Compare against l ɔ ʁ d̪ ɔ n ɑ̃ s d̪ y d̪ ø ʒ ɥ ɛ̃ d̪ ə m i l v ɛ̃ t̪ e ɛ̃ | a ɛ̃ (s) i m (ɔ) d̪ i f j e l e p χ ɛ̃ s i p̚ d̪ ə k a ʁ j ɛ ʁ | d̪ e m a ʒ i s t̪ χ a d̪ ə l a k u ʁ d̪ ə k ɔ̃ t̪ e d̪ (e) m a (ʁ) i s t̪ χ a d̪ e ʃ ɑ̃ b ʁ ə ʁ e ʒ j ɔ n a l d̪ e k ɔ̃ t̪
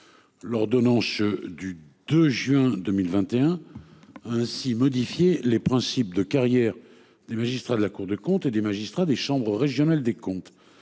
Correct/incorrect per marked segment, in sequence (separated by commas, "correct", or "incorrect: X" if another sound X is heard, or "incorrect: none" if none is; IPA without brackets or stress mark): correct, correct, correct, incorrect: ʒ